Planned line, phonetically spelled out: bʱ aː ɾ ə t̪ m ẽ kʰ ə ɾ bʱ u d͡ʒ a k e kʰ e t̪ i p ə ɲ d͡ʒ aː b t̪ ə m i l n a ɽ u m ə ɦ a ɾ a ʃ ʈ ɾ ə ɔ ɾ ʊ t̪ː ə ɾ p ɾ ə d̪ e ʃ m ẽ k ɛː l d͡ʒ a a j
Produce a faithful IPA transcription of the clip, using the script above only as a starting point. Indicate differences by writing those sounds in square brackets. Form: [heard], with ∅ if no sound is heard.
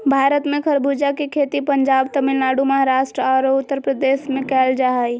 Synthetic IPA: bʱ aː ɾ ə t̪ m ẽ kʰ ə ɾ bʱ u d͡ʒ a k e kʰ e t̪ i p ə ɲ d͡ʒ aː b t̪ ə m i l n a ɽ u m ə ɦ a ɾ a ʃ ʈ ɾ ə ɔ ɾ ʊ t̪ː ə ɾ p ɾ ə d̪ e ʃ m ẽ k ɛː l d͡ʒ a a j

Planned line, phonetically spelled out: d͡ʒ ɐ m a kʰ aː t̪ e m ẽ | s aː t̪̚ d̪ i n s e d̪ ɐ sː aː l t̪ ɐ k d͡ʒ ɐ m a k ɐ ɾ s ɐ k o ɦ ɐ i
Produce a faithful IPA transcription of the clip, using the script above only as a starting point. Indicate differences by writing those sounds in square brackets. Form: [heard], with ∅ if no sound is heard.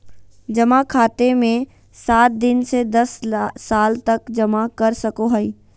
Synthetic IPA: d͡ʒ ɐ m a kʰ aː t̪ e m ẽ | s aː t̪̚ d̪ [ɪ] n s e d̪ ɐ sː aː l t̪ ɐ k d͡ʒ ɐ m a k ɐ ɾ s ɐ k o ɦ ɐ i

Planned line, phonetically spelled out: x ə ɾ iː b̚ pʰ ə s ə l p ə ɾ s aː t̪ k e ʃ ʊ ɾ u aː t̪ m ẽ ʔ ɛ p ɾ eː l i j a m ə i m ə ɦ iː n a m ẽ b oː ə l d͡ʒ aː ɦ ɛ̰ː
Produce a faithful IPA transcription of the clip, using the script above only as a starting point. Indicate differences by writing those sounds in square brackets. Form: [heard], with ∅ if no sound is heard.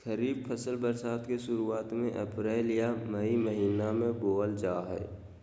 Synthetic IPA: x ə ɾ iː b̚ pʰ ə s ə l [b] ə ɾ s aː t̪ k e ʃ ʊ ɾ u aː t̪ m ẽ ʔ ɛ p ɾ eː l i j a m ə i m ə ɦ iː n a m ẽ b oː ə l d͡ʒ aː ɦ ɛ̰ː

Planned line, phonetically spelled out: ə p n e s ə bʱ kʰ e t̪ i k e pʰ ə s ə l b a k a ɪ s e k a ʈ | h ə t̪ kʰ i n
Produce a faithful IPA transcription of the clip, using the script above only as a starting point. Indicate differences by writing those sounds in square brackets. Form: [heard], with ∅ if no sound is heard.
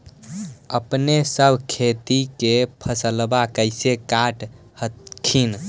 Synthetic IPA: ə p n e s ə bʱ kʰ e t̪ i k e pʰ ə s ə l b a k [ə] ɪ s e k a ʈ | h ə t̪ kʰ i n

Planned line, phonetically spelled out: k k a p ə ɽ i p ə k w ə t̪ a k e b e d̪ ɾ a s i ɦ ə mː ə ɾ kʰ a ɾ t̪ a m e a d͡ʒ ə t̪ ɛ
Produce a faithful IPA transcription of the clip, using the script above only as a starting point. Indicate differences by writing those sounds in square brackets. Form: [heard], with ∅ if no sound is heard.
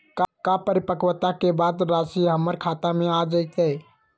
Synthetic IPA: k k a p ə [ɾ] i p ə k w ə t̪ a k e b [a] d̪ ɾ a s i ɦ ə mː ə ɾ kʰ a [∅] t̪ a m e a d͡ʒ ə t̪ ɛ

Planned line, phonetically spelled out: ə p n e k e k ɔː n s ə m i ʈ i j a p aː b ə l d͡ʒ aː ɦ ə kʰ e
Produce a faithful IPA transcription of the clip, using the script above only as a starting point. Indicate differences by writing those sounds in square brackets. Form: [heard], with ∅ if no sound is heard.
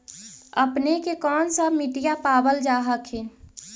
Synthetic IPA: ə p n e k e k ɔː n s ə m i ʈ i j a p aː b ə l d͡ʒ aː ɦ ə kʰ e

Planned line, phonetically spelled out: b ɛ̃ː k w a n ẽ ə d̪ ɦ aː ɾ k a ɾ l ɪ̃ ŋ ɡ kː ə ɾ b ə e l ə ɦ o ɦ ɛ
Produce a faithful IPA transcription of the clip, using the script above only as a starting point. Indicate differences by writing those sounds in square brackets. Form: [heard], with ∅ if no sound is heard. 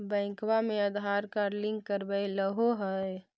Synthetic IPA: b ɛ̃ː k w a [m] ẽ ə d̪ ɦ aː ɾ k a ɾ l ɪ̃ ŋ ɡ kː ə ɾ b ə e l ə ɦ o ɦ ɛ

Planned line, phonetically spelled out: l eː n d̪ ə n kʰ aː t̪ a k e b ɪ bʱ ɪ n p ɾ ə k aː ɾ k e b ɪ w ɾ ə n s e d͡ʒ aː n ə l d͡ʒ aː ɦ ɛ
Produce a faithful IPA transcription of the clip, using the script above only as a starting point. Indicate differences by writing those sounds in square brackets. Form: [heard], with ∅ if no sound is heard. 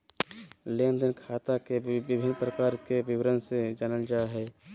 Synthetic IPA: l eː n d̪ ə n kʰ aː t̪ a k e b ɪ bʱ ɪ n p ɾ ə k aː ɾ k e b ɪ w ɾ ə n s e d͡ʒ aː n ə l d͡ʒ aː ɦ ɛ

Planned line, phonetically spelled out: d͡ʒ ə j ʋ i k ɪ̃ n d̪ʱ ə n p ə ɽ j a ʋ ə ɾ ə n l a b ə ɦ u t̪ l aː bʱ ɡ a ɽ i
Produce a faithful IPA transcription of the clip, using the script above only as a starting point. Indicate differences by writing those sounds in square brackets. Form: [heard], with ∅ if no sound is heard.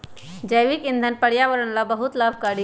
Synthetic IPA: d͡ʒ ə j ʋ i k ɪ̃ n d̪ʱ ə n p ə ɽ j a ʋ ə ɾ ə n l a b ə ɦ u t̪ l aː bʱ [k] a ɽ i

